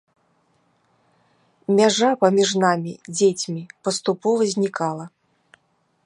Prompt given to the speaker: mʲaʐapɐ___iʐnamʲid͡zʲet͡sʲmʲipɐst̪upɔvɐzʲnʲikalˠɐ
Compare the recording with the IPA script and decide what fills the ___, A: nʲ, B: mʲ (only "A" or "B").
B